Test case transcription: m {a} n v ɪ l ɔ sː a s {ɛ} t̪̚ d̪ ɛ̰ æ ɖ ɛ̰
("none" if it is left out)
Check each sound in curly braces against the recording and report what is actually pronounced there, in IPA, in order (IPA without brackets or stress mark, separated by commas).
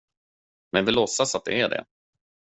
ɛ, a